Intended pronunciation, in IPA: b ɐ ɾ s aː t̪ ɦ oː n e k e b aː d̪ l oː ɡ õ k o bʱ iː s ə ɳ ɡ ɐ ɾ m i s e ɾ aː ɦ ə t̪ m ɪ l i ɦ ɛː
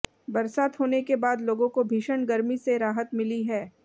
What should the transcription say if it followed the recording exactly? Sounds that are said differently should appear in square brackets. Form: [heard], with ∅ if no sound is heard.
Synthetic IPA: b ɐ ɾ s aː t̪ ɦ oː n e k e b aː d̪ l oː ɡ õ k o bʱ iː [ʃ] ə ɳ ɡ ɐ ɾ m i s e ɾ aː ɦ ə t̪ m ɪ l i ɦ ɛː

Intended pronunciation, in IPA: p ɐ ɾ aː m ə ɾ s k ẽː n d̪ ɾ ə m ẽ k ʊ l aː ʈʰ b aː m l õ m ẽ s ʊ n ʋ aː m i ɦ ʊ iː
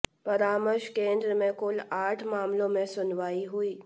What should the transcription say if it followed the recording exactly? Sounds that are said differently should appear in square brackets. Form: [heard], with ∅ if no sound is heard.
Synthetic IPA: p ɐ ɾ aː m ə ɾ [ʃ] k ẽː n d̪ ɾ ə m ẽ k ʊ l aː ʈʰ [m] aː m l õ m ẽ s ʊ n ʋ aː [∅] i ɦ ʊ iː

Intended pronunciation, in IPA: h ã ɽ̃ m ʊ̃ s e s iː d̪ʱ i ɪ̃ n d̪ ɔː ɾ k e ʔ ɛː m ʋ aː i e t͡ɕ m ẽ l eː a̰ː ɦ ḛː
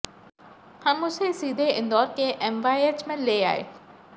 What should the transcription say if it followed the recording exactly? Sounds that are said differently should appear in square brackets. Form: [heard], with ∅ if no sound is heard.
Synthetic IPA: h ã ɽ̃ m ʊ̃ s e s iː d̪ʱ [e] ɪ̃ n d̪ ɔː ɾ k e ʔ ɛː m ʋ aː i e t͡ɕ m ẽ l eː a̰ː ɦ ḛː

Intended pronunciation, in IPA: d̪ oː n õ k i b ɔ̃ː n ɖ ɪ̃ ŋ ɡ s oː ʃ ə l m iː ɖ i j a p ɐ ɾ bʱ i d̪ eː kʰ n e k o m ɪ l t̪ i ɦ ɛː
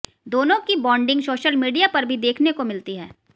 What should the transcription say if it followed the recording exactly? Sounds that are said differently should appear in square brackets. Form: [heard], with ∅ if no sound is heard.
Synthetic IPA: d̪ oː n õ k i b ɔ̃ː [ɳ] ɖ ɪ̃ ŋ ɡ s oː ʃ ə l m iː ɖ i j a p ɐ ɾ bʱ i d̪ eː kʰ n e k o m ɪ l t̪ i ɦ ɛː

